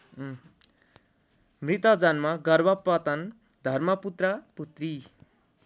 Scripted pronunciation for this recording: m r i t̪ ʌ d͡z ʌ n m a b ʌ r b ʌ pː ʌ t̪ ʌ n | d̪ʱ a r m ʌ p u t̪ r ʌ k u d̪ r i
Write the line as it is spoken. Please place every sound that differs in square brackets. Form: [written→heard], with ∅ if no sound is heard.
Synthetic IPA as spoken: m r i t̪ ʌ d͡z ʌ n m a [b→ɡ] ʌ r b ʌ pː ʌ t̪ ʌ n | d̪ʱ [a→ʌ] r m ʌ p u t̪ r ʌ [k→p] u [d̪→t̪] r i